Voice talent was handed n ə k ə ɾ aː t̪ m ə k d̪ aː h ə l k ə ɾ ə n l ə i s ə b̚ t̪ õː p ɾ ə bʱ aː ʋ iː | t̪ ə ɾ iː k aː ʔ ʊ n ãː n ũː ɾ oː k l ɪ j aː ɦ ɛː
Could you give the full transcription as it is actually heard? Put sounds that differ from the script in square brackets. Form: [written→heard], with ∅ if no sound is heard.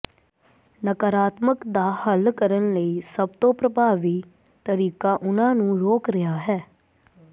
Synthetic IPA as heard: n ə k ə ɾ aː t̪ m ə k d̪ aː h ə l k ə ɾ ə n l ə [i→iː] s ə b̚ t̪ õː p ɾ ə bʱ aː ʋ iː | t̪ ə ɾ iː k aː ʔ ʊ n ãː n ũː ɾ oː k [l→ɾ] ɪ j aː ɦ ɛː